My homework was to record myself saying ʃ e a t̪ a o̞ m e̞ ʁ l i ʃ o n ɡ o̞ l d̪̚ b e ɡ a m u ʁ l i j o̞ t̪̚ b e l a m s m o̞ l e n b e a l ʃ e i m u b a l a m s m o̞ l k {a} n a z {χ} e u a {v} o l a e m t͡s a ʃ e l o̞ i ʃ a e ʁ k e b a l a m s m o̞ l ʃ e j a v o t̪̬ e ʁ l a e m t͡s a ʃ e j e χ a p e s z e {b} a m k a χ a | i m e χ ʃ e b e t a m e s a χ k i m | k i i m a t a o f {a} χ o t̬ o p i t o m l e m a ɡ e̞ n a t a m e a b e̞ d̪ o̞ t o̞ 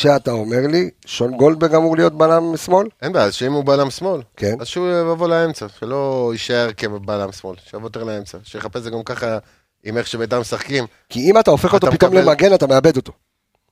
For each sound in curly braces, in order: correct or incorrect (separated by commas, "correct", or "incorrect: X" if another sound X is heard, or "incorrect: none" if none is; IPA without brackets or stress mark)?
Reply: incorrect: e, incorrect: ʃ, correct, incorrect: ɡ, incorrect: e